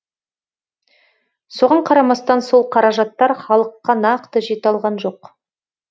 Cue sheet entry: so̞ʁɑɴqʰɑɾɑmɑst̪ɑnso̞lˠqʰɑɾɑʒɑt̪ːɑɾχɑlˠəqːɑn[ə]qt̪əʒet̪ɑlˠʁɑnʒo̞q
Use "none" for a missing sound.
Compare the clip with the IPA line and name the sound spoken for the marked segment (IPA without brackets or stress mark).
ɑ